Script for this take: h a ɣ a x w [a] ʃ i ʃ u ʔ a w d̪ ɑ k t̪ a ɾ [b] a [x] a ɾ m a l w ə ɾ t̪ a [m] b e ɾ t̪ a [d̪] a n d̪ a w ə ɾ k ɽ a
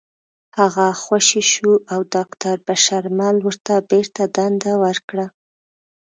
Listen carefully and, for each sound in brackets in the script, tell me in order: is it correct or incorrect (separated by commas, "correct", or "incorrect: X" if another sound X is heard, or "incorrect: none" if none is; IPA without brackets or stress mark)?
correct, correct, incorrect: ʃ, incorrect: none, correct